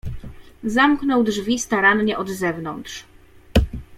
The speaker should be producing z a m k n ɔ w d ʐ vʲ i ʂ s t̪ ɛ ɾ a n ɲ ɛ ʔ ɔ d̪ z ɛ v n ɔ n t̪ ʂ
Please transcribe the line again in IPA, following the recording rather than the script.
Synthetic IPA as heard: z a m k n ɔ w d ʐ vʲ i s t̪ a ɾ a n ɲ ɛ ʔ ɔ d̪ z ɛ v n ɔ n t̪ ʂ